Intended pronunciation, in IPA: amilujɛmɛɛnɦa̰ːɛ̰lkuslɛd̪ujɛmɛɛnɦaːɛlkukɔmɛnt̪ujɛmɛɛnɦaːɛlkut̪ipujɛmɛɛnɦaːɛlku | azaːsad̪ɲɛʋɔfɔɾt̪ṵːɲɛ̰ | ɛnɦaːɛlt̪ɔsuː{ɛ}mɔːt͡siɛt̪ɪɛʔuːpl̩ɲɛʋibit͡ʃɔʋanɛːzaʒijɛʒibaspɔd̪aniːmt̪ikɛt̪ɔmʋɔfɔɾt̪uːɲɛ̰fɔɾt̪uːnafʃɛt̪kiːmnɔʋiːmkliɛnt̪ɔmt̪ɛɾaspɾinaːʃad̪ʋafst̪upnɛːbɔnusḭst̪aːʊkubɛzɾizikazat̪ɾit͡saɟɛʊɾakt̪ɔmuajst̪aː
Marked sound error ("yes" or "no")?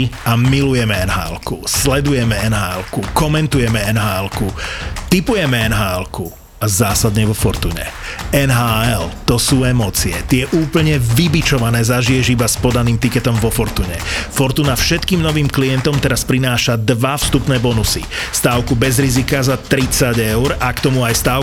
no